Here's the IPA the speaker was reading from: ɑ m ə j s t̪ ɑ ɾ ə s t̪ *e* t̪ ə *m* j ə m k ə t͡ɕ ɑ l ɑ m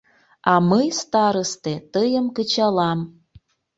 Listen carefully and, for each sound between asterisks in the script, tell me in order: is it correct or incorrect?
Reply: correct, incorrect: none

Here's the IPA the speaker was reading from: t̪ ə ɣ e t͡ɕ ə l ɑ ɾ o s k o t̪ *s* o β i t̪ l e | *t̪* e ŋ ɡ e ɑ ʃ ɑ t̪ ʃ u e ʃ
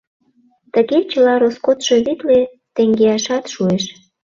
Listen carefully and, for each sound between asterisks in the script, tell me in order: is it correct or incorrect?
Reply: incorrect: ʃ, correct

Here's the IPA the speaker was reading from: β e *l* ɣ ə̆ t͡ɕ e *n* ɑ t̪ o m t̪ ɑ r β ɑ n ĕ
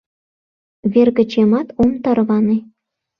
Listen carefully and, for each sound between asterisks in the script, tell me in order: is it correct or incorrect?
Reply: incorrect: r, incorrect: m

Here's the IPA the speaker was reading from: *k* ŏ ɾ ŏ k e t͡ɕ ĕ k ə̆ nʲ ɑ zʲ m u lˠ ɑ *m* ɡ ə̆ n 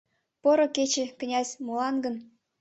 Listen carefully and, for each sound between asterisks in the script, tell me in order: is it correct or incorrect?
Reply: incorrect: p, incorrect: n

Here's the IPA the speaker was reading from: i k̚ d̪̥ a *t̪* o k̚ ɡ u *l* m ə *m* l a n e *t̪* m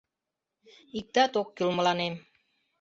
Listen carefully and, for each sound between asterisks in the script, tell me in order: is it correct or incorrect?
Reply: correct, correct, incorrect: none, incorrect: none

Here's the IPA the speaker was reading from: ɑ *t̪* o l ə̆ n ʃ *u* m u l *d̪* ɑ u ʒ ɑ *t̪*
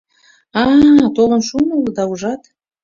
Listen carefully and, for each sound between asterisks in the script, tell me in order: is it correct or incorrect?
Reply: correct, correct, correct, correct

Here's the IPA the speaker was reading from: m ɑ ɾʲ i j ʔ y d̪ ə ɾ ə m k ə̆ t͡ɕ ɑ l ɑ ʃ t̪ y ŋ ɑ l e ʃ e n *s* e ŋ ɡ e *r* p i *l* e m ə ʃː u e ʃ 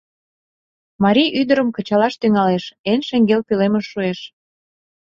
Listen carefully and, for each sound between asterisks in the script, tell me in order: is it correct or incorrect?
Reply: incorrect: ʃ, incorrect: l, correct

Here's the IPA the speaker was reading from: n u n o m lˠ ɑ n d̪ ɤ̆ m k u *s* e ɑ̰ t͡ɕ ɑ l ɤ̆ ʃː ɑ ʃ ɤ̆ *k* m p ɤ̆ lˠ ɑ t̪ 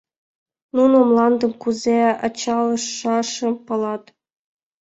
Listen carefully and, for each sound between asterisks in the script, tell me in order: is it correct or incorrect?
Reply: incorrect: z, incorrect: none

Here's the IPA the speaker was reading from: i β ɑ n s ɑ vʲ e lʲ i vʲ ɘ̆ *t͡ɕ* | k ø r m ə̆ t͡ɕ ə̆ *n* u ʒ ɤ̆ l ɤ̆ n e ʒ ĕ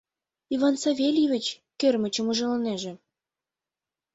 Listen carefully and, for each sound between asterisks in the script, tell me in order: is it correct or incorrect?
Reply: correct, incorrect: m

